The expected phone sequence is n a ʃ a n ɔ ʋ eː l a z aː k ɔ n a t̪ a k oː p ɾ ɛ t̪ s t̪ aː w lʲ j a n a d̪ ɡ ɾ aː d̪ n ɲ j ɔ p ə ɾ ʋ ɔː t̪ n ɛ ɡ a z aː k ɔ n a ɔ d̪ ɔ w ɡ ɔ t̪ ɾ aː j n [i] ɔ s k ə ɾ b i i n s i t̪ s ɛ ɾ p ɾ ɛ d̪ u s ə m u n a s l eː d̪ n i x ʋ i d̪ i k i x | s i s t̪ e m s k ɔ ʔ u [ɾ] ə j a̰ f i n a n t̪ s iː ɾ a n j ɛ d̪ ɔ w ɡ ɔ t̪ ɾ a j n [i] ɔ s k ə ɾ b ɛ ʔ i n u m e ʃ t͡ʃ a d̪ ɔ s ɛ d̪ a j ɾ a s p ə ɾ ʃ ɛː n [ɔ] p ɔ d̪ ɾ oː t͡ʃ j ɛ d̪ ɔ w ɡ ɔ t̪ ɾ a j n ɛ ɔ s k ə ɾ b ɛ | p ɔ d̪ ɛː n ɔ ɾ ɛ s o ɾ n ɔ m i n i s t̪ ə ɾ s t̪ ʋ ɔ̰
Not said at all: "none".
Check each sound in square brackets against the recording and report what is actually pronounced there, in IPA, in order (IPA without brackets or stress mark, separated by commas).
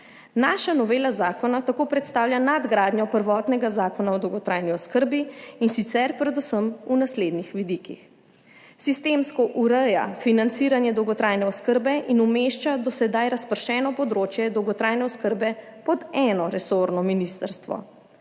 i, ɾ, ɛ, ɔ